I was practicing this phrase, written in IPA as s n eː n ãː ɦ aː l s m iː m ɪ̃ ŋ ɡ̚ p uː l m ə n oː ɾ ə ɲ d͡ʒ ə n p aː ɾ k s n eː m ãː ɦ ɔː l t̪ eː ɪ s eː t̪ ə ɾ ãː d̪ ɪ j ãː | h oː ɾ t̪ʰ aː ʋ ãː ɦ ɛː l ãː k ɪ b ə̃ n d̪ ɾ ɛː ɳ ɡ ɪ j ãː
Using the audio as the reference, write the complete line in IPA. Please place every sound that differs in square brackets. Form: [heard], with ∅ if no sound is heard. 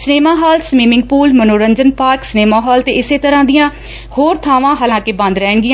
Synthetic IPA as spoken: s n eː [m] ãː ɦ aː l s m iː m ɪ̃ ŋ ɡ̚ p uː l m ə n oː ɾ ə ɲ d͡ʒ ə n p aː ɾ k s n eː m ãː ɦ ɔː l t̪ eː ɪ s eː t̪ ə ɾ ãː d̪ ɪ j ãː | h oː ɾ t̪ʰ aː ʋ ãː ɦ [aː] l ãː k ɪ b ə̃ n d̪ ɾ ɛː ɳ ɡ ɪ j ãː